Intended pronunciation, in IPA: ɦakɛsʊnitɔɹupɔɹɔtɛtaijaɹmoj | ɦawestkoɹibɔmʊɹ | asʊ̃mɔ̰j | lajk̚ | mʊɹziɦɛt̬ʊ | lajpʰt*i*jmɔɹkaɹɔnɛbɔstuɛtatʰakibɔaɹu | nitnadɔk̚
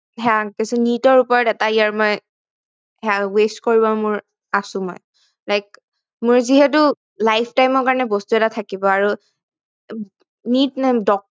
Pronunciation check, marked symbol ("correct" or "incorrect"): incorrect